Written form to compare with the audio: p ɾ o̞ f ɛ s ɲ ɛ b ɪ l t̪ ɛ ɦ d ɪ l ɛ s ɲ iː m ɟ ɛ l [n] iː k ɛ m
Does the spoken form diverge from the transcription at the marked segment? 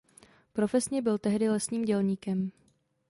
yes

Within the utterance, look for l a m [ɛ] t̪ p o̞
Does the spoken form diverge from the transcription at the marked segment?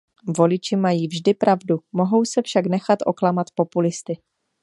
yes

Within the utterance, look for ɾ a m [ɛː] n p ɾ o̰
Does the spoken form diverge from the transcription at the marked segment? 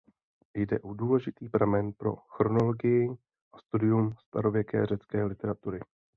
yes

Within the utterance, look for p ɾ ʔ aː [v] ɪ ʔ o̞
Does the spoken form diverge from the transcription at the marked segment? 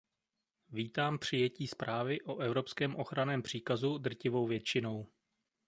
no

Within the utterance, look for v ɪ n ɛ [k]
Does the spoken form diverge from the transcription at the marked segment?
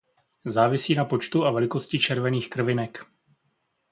no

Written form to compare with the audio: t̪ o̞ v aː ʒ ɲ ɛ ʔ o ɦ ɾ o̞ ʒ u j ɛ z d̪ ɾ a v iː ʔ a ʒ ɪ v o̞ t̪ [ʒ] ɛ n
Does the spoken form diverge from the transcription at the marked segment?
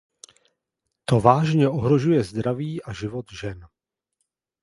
no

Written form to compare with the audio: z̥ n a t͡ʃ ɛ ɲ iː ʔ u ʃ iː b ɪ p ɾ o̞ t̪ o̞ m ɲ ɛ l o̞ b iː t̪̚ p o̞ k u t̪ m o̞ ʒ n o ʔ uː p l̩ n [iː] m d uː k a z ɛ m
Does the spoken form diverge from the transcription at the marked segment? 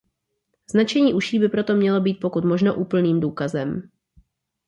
no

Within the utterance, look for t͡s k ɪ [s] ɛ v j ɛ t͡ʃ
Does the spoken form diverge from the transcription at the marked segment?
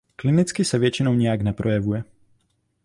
no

